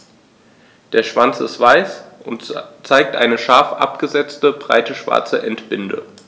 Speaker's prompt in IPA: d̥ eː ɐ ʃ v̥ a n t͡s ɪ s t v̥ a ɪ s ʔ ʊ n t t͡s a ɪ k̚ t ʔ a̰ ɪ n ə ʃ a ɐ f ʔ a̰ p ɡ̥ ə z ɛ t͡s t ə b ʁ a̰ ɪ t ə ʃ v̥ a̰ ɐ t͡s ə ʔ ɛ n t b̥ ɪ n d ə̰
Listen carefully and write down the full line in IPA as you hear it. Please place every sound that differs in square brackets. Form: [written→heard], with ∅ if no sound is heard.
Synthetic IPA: d̥ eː ɐ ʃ v̥ a n t͡s ɪ s t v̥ a ɪ s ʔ ʊ n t t͡s a ɪ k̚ t ʔ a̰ ɪ n ə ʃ a ɐ f ʔ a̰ p ɡ̥ ə z ɛ t͡s t ə b ʁ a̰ ɪ t ə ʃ v̥ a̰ ɐ t͡s ə ʔ ɛ n t b̥ ɪ n d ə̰

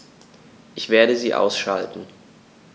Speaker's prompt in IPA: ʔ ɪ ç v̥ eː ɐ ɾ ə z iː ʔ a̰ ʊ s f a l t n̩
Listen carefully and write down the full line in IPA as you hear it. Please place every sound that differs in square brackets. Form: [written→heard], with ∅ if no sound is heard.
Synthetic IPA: ʔ ɪ ç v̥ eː ɐ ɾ ə z iː ʔ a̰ ʊ s [f→ʃ] a l t n̩

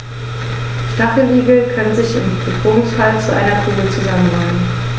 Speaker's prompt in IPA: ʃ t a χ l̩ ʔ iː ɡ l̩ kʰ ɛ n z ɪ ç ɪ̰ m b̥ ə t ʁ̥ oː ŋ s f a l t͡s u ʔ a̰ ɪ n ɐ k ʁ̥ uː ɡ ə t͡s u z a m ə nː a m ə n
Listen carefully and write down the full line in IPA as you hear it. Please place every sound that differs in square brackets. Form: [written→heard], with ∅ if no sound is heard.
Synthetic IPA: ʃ t a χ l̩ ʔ iː ɡ l̩ kʰ [ɛ→a] n z ɪ ç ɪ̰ m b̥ ə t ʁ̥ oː ŋ s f a l t͡s u ʔ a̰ ɪ n ɐ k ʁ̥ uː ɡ ə t͡s u z a m ə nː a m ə n

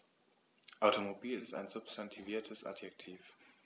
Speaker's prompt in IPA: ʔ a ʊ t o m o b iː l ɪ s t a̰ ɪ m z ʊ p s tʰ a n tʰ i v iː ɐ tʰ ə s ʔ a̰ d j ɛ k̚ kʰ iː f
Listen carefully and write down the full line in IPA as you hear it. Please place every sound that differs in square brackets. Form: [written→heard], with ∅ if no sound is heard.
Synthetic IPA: ʔ a ʊ t o m o b iː l ɪ s t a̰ ɪ [m→n] z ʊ p s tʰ a n tʰ i v iː ɐ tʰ ə s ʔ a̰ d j ɛ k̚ [kʰ→tʰ] iː f

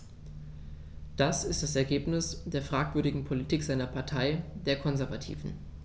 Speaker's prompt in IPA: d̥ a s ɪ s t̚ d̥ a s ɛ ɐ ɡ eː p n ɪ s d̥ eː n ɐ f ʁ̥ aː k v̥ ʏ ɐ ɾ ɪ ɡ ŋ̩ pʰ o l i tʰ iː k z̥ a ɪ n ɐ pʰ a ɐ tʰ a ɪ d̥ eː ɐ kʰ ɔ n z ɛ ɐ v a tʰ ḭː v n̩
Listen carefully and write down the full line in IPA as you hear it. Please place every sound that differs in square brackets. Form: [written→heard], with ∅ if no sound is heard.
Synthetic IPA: d̥ a s ɪ s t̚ d̥ a s ɛ ɐ ɡ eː p n ɪ s d̥ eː [n→∅] ɐ f ʁ̥ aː k v̥ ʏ ɐ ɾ ɪ ɡ ŋ̩ pʰ o l i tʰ iː k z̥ a ɪ n ɐ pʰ a ɐ tʰ a ɪ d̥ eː ɐ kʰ ɔ n z ɛ ɐ v a tʰ ḭː v n̩

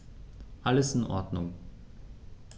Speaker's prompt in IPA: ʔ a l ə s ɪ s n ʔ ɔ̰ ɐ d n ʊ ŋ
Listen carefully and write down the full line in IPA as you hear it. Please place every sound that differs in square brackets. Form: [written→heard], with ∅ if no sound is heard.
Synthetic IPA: ʔ a l ə s ɪ [s→∅] n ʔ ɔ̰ ɐ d n ʊ ŋ

